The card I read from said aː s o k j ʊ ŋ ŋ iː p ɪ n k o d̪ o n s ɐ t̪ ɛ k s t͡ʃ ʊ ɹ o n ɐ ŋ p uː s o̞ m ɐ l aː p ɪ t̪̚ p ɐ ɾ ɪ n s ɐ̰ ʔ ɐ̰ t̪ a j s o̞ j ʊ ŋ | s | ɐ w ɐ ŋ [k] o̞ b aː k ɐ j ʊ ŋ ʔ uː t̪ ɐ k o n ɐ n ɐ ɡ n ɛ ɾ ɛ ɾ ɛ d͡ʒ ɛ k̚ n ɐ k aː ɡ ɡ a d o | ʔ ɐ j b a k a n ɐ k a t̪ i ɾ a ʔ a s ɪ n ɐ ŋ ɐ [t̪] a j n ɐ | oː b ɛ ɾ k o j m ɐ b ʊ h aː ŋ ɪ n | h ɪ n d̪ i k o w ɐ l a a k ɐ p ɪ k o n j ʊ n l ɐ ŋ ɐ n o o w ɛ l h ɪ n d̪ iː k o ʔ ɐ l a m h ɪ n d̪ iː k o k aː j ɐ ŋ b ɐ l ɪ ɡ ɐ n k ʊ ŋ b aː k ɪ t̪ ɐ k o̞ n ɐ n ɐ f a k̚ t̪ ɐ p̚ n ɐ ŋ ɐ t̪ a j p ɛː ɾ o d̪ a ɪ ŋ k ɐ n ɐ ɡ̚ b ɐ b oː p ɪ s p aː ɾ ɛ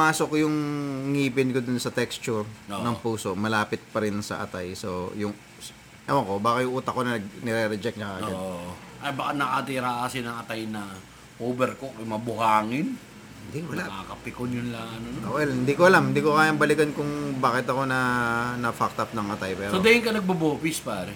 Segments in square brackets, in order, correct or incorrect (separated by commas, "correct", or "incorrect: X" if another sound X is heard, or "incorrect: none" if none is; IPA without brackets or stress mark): correct, correct